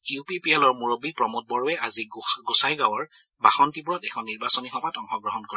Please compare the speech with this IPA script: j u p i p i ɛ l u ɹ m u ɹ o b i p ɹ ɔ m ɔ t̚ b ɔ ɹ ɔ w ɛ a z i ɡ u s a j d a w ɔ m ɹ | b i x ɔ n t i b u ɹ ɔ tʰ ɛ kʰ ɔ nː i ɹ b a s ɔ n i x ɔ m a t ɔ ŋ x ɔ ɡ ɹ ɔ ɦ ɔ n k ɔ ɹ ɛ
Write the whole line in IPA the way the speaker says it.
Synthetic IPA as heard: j u p i p i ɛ l ɔ ɹ m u ɹ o b i p ɹ ɔ m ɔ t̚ b ɔ ɹ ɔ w ɛ a z i ɡ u s a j ɡ a w ɔ ɹ | b a x ɔ n t i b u ɹ ɔ t ɛ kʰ ɔ nː i ɹ b a s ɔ n i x ɔ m a t ɔ ŋ x ɔ ɡ ɹ ɔ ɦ ɔ n k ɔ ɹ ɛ